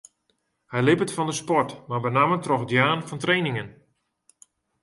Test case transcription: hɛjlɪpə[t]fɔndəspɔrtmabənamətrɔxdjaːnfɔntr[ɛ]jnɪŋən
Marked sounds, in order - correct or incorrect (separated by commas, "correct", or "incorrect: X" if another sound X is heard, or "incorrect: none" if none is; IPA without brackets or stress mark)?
correct, incorrect: e